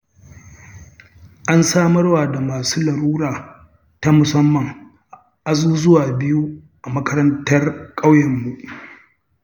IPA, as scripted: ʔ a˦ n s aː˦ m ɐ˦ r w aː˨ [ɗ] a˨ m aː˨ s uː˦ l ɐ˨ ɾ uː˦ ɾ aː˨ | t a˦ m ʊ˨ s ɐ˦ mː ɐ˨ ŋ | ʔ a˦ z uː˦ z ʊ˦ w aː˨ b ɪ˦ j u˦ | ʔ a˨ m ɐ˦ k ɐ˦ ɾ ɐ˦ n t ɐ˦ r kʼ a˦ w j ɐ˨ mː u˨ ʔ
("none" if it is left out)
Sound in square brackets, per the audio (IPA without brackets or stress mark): d